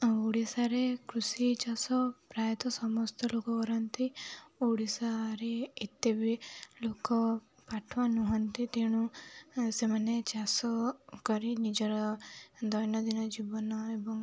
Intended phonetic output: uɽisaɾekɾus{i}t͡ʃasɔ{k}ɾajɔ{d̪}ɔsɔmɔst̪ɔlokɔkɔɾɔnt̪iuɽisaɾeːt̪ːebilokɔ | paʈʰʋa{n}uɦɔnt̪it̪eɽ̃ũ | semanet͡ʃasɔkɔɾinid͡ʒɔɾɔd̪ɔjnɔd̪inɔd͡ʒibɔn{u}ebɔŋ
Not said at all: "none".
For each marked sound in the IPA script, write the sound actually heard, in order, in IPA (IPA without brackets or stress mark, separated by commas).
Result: i, p, t̪, n, ɔ